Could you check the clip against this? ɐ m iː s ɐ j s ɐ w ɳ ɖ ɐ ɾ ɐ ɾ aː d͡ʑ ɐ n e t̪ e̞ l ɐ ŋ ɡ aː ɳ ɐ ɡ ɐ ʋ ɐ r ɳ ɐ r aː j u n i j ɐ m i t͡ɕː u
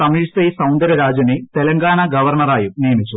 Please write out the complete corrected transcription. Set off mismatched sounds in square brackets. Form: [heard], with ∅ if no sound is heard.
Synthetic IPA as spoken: ɐ m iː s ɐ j s ɐ w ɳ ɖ ɐ ɾ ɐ ɾ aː d͡ʑ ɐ n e t̪ e̞ l ɐ ŋ ɡ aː ɳ ɐ ɡ ɐ ʋ ɐ r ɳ ɐ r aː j u n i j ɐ m i t͡ɕː u